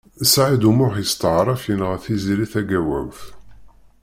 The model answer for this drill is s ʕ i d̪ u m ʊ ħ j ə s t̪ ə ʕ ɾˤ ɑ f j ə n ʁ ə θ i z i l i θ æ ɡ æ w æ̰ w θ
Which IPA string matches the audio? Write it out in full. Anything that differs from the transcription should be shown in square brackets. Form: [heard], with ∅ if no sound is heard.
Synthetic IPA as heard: s ʕ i d̪ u m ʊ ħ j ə s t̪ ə ʕ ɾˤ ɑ f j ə n ʁ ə θ i z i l i θ æ ɡ æ w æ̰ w θ